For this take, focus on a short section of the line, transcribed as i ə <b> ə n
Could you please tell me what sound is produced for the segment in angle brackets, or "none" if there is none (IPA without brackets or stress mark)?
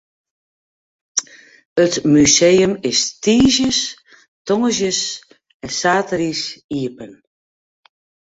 p